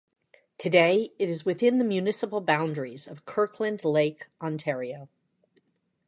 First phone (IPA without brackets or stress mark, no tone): tʰ